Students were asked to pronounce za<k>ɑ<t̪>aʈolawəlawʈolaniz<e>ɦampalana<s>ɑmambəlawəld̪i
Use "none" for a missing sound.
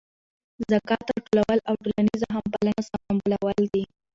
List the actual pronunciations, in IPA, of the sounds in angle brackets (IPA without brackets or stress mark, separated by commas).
k, t̪, a, s